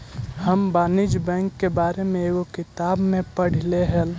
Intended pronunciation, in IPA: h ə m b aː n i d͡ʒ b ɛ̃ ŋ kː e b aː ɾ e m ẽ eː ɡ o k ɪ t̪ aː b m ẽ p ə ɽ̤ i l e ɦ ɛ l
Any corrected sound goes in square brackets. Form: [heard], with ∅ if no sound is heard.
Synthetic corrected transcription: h ə m b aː n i d͡ʒ b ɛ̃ ŋ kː e b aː ɾ e m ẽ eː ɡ o k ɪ t̪ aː b m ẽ p ə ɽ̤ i l e ɦ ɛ l